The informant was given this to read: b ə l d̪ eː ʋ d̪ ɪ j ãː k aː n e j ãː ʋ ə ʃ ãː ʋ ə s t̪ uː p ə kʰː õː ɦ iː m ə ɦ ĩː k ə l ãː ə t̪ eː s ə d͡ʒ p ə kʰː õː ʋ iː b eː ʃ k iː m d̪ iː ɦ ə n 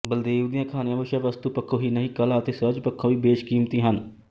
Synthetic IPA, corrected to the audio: b ə l d̪ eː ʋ d̪ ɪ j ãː kʰ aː n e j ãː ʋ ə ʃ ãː ʋ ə s t̪ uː p ə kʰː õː ɦ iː n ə ɦ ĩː k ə l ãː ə t̪ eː s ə d͡ʒ p ə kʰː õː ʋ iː b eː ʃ k iː m t̪ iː ɦ ə n